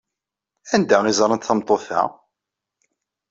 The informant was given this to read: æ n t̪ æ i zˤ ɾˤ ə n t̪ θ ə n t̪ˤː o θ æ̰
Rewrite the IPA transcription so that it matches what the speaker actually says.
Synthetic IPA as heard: æ n d̪ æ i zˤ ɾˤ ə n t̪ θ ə m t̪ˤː o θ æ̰